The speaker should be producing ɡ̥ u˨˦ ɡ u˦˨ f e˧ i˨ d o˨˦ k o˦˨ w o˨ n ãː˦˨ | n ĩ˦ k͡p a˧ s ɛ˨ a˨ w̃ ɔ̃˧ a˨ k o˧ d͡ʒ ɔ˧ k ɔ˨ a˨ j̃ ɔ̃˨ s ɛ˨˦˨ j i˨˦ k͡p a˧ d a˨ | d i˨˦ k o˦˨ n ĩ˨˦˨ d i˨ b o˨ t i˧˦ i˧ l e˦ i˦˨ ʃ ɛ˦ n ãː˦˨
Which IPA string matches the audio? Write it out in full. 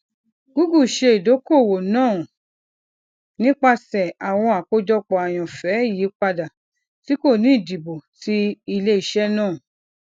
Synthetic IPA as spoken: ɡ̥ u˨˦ ɡ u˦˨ ʃ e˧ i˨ d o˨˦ k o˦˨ w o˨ n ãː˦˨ | n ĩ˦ k͡p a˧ s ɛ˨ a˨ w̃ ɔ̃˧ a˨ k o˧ d͡ʒ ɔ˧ k͡p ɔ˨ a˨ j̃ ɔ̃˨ f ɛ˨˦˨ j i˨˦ k͡p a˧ d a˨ | t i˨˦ k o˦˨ n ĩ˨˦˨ d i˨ b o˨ t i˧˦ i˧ l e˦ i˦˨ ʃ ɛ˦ n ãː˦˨